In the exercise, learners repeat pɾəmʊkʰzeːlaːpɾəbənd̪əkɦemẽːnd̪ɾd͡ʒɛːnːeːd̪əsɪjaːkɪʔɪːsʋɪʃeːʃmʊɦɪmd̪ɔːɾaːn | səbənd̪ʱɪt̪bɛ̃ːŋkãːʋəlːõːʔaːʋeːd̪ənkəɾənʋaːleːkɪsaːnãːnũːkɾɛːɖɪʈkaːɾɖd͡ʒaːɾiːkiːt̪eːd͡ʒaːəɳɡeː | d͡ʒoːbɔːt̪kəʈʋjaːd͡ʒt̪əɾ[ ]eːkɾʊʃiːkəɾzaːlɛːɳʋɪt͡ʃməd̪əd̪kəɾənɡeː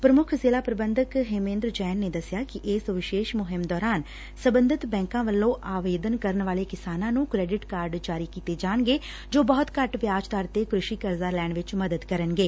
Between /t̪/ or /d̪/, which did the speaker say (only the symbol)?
t̪